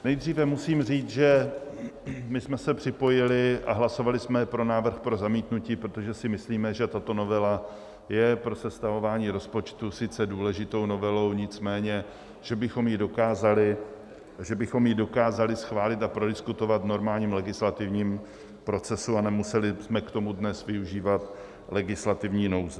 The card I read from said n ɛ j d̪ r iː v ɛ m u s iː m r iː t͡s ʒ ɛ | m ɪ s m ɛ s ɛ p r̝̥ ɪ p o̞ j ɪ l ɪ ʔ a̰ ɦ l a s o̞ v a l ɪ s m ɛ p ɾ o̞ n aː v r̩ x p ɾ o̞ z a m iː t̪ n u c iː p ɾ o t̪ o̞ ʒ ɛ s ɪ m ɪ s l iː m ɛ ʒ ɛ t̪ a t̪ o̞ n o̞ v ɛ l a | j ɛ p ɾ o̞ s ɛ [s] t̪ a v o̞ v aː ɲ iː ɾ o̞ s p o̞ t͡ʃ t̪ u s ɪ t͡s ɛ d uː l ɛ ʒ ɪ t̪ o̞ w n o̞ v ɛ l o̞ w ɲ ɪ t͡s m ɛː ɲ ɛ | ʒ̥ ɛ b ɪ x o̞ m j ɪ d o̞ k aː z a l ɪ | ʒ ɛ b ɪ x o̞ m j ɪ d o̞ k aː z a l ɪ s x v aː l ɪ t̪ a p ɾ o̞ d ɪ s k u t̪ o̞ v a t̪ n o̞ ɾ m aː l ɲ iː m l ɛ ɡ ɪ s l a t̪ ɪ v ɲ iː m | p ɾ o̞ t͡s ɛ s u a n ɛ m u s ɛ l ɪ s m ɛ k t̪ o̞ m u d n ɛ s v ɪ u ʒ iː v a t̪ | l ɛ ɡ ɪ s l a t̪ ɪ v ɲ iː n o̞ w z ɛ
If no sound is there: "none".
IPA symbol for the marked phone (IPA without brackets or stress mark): s